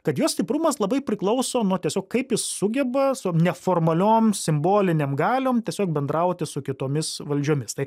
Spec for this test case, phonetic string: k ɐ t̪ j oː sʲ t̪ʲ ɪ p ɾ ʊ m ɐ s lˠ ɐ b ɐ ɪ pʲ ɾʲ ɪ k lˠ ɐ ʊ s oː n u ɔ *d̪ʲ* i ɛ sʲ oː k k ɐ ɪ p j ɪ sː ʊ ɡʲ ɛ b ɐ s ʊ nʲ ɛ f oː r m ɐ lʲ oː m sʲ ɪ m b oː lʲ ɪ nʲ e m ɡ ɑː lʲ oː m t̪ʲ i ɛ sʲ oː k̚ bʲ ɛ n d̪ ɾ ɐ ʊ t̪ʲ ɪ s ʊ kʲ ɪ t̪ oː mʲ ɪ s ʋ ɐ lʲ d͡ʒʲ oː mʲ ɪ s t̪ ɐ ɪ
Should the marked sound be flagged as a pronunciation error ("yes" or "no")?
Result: yes